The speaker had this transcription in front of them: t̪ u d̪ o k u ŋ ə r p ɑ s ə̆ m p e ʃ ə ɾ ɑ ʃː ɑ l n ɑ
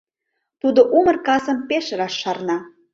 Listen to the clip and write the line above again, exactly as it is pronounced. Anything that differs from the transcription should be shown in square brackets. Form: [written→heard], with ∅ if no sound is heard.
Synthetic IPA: t̪ u d̪ o [k→ʔ] u [ŋ→m] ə r [p→k] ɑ s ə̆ m p e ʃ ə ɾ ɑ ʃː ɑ [l→r] n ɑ